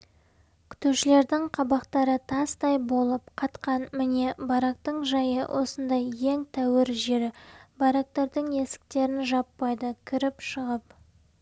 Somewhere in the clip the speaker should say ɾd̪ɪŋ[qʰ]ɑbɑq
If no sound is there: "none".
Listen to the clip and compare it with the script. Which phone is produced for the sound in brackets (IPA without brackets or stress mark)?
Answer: qʰ